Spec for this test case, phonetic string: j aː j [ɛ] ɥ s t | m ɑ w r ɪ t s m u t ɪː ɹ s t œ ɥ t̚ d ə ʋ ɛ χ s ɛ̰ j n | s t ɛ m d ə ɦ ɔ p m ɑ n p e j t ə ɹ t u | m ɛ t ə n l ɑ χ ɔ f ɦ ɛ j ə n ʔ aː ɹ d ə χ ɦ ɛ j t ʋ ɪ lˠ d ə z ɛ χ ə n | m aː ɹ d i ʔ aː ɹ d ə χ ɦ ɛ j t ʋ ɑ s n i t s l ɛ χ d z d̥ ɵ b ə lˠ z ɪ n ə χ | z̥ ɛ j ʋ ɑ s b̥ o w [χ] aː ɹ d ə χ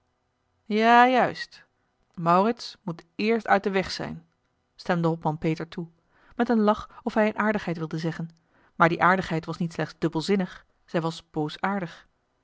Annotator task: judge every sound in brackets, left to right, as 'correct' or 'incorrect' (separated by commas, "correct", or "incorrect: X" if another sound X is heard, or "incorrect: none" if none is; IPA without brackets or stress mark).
incorrect: œ, incorrect: s